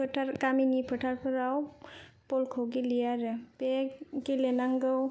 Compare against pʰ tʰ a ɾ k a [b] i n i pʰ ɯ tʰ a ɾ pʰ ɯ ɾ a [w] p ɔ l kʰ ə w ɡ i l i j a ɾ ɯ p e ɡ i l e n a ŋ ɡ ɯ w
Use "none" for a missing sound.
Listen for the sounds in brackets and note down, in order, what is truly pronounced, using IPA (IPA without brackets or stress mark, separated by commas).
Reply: m, w